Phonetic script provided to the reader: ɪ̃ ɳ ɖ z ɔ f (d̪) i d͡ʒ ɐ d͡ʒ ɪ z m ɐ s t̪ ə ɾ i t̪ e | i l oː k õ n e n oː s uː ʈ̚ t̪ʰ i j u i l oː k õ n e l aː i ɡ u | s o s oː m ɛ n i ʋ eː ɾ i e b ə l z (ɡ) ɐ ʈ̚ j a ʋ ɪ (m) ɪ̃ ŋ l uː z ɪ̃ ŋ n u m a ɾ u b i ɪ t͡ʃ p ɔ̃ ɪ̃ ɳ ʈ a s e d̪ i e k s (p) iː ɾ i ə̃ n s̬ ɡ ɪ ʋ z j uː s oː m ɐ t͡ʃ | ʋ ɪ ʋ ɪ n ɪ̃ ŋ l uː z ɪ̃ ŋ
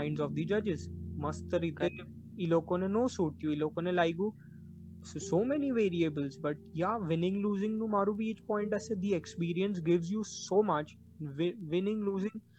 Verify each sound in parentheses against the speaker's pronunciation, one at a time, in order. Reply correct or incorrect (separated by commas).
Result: correct, incorrect, incorrect, correct